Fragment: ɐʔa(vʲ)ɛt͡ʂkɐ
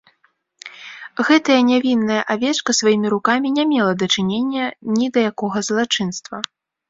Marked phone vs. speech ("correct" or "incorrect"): correct